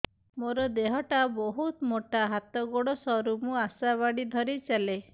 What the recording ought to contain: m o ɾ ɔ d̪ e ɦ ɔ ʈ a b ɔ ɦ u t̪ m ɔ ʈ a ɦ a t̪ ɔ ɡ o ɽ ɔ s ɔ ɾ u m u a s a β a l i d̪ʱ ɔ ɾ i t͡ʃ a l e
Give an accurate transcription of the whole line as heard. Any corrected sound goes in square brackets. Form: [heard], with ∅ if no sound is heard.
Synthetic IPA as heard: m o ɾ ɔ d̪ e ɦ ɔ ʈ a b ɔ ɦ u t̪ m [o] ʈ a ɦ a t̪ ɔ ɡ o ɽ ɔ s ɔ ɾ u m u a s a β a [ɽ] i d̪ʱ ɔ ɾ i t͡ʃ a l e

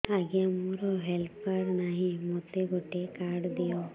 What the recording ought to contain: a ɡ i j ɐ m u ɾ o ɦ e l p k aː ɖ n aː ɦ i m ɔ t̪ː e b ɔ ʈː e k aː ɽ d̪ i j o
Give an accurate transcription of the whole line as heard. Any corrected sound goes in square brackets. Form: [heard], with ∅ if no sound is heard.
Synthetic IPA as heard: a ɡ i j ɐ m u ɾ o ɦ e l p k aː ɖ n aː ɦ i m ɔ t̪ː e [ɡ] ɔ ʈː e k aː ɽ d̪ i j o

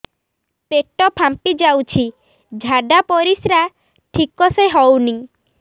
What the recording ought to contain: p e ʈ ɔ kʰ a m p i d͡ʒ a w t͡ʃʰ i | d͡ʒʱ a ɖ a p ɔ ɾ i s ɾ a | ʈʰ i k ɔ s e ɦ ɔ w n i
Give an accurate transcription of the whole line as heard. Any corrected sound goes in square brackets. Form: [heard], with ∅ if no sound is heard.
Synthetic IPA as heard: p e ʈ ɔ [pʰ] a m p i d͡ʒ a w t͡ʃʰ i | d͡ʒʱ a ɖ a p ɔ ɾ i s ɾ a | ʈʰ i k ɔ s e ɦ ɔ w n i

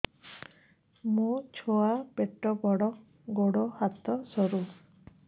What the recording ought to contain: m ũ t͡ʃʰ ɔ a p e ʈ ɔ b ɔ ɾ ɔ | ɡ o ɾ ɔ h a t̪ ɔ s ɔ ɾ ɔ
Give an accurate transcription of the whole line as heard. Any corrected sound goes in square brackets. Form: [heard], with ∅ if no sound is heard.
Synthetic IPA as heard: m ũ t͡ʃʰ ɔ a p e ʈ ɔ b ɔ [ɽ] ɔ | ɡ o [ɽ] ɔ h a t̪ ɔ s ɔ ɾ [u]

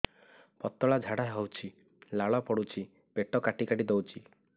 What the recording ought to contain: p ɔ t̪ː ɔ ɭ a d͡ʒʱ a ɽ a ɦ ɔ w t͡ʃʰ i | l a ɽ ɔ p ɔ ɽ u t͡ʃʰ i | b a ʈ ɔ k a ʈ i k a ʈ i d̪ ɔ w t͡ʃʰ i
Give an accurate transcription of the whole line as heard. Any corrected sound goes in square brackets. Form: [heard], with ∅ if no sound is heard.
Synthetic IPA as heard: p ɔ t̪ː ɔ ɭ a d͡ʒʱ a ɽ a ɦ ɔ w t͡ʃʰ i | l a [ɭ] ɔ p ɔ ɽ u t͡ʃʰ i | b [e] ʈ ɔ k a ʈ i k a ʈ i d̪ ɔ w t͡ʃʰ i

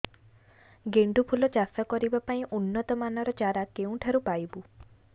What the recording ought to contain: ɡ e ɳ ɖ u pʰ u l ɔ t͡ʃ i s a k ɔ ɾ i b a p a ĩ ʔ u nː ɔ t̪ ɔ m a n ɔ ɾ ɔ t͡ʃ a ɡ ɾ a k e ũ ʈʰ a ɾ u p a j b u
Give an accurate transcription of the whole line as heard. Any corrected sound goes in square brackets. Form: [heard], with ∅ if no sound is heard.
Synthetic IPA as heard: ɡ e ɳ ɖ u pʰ u l ɔ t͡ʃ [a] s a k ɔ ɾ i b a p a ĩ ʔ u nː ɔ t̪ ɔ m a n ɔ ɾ ɔ t͡ʃ a [∅] ɾ a k e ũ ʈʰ a ɾ u p a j b u

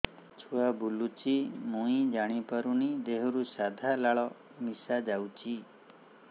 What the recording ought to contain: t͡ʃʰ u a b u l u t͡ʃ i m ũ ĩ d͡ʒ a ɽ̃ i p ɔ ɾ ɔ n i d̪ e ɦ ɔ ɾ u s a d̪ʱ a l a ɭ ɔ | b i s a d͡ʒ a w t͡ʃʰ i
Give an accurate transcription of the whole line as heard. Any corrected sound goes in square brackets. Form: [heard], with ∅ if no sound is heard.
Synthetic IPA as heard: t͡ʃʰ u a b u l u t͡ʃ i m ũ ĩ d͡ʒ a ɽ̃ i p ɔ ɾ [u] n i d̪ e ɦ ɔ ɾ u s a d̪ʱ a l a ɭ ɔ | [m] i s a d͡ʒ a w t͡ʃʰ i

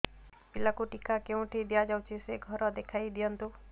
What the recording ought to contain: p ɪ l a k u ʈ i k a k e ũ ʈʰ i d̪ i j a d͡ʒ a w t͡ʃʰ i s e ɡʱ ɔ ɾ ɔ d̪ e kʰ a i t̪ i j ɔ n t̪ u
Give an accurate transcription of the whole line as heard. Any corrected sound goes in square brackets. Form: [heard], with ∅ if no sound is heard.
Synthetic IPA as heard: p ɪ l a k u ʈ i k a k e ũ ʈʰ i d̪ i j a d͡ʒ a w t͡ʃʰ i s e ɡʱ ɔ ɾ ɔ d̪ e kʰ a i [d̪] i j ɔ n t̪ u

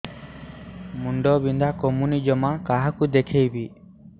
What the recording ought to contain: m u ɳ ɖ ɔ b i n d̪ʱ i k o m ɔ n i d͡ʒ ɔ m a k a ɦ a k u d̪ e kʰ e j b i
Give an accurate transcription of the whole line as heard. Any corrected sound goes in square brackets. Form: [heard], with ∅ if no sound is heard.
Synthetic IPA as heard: m u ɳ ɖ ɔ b i n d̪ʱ [a] k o m [u] n i d͡ʒ ɔ m a k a ɦ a k u d̪ e kʰ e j b i

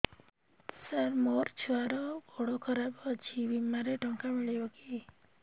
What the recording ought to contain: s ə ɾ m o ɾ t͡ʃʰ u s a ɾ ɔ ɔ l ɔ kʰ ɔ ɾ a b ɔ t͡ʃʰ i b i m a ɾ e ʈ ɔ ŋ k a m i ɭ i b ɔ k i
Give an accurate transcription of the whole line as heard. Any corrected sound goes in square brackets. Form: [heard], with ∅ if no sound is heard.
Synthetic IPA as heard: s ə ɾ m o ɾ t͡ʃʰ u [∅] a ɾ ɔ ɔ [ɽ] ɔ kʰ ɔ ɾ a b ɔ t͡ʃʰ i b i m a ɾ e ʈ ɔ ŋ k a m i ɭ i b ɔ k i

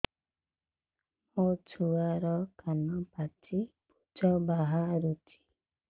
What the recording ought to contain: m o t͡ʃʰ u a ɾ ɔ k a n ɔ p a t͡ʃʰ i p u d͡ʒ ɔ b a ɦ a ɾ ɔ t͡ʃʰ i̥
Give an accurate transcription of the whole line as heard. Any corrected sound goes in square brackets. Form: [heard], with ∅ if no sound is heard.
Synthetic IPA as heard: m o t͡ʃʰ u a ɾ ɔ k a n ɔ p a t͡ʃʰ i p u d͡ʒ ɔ b a ɦ a ɾ [u] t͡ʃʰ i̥

